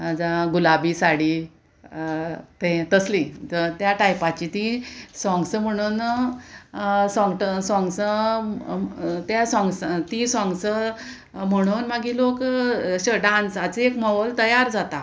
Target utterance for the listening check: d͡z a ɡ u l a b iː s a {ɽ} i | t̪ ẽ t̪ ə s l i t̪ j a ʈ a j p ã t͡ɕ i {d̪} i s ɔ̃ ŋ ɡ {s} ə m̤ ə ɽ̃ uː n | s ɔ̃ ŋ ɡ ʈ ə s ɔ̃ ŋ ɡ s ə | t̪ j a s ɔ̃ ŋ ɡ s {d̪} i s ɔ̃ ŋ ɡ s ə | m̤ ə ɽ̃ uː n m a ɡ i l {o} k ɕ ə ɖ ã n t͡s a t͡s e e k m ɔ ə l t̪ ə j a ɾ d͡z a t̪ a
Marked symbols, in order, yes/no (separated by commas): yes, no, yes, no, yes